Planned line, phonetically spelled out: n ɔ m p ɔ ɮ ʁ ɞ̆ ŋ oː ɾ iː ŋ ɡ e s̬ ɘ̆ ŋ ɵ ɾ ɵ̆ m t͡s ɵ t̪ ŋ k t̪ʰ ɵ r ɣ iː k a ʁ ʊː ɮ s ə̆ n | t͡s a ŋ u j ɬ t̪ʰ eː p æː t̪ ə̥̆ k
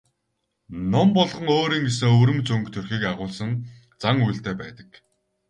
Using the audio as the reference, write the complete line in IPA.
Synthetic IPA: n ɔ m p ɔ ɮ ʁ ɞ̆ ŋ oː ɾ iː ŋ ɡ e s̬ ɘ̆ ŋ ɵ ɾ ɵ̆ m t͡s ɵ ŋ k t̪ʰ ɵ r x iː k a ʁ ʊː ɮ s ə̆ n | t͡s a ŋ u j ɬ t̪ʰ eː p æː t̪ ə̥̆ k